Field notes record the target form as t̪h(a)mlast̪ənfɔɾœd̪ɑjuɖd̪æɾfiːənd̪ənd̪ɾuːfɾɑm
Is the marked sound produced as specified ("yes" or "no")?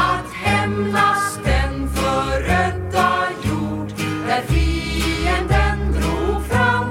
no